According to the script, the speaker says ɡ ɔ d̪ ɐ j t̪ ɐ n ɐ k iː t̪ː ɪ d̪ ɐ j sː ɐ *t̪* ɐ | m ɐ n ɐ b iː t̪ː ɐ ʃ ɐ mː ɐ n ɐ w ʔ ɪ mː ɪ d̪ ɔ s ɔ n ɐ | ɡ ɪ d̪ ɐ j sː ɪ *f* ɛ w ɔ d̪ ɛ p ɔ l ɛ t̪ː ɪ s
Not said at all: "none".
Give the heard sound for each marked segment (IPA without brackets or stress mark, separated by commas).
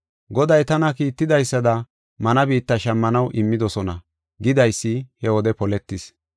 d̪, h